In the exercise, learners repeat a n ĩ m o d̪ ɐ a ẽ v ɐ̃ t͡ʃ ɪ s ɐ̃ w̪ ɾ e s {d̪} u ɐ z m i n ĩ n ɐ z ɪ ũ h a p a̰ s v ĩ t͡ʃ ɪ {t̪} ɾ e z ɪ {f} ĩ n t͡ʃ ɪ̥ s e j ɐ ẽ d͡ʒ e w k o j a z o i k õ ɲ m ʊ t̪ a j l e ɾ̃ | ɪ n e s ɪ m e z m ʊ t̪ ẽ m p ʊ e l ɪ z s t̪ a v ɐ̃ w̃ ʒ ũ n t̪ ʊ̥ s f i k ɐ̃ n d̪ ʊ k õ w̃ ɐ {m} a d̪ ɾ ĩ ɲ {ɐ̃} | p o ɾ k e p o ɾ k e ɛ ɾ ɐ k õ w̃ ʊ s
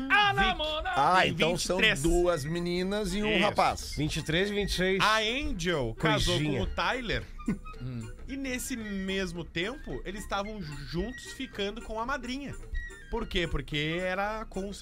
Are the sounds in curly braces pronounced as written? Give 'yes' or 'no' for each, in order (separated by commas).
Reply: yes, yes, no, yes, no